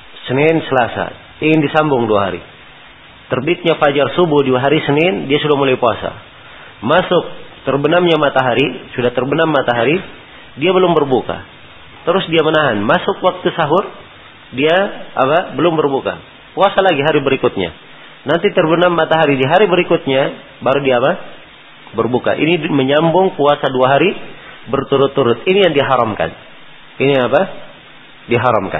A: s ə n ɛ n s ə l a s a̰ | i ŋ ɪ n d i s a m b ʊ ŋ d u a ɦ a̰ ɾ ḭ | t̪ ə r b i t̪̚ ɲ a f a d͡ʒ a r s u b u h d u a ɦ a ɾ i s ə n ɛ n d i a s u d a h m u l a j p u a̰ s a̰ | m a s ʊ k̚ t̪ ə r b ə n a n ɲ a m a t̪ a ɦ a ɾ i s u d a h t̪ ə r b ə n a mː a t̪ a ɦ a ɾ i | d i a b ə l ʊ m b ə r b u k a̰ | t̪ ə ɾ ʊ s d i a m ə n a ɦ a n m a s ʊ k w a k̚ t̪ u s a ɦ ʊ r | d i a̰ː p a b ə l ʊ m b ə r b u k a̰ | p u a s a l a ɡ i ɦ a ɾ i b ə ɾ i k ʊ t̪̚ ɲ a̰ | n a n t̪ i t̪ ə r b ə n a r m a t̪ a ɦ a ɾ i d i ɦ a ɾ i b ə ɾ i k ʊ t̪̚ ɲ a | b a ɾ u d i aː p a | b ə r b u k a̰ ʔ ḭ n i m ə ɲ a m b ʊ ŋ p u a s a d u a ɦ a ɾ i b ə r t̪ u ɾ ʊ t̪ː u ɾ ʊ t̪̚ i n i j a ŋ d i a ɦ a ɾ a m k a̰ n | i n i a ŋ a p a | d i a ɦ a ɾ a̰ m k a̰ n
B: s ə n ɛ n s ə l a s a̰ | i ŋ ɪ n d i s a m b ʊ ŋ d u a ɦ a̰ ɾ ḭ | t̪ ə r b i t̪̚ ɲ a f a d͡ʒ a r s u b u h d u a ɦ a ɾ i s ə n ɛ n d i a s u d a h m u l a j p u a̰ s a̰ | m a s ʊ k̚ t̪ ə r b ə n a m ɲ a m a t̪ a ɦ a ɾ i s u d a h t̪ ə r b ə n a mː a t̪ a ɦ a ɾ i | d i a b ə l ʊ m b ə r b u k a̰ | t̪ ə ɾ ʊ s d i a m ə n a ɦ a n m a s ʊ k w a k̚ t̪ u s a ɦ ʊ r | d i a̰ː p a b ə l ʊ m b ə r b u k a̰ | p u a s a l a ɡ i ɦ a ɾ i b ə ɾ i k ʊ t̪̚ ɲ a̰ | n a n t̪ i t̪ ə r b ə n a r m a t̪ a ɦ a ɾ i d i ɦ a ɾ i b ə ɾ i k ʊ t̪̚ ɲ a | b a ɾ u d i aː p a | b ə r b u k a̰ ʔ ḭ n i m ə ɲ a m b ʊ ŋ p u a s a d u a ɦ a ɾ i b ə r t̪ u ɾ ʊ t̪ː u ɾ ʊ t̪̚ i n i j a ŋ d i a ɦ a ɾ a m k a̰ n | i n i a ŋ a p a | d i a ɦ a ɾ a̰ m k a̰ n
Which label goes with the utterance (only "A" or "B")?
B